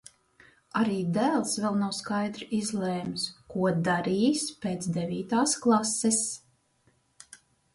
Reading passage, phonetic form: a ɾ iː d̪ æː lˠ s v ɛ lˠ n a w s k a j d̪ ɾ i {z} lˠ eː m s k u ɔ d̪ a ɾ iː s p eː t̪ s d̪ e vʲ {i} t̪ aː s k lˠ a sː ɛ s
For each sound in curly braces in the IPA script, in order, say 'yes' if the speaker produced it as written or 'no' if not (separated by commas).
yes, no